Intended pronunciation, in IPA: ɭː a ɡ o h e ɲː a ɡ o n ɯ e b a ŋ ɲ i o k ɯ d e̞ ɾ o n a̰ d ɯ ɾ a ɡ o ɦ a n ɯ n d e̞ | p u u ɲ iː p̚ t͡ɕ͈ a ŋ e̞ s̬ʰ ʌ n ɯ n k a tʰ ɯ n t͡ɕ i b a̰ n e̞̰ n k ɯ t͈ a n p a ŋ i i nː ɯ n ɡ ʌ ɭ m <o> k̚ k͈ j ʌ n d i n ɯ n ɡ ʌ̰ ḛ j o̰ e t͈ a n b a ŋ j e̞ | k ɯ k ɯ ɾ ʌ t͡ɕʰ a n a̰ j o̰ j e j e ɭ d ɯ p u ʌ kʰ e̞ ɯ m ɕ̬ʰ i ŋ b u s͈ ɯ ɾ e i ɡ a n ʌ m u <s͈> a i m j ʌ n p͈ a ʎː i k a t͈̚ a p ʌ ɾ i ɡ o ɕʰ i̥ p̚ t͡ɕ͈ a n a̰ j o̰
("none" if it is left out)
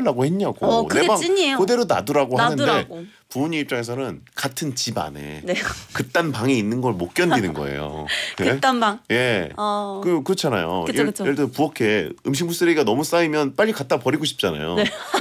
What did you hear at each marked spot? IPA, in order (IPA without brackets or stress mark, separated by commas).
o, s͈